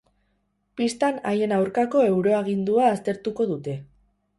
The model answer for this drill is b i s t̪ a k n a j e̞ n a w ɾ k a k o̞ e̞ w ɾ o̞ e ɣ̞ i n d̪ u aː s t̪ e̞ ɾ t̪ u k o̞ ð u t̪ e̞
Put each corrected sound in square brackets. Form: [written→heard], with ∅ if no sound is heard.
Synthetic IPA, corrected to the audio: [b→p] i s t̪ a [k→∅] n a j e̞ n a w ɾ k a k o̞ e̞ w ɾ o̞ [e→a] ɣ̞ i n d̪ u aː s t̪ e̞ ɾ t̪ u k o̞ ð u t̪ e̞